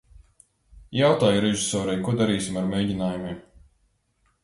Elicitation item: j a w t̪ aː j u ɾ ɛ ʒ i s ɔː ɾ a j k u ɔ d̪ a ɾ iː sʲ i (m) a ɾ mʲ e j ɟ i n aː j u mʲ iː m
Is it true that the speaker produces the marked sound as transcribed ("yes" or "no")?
yes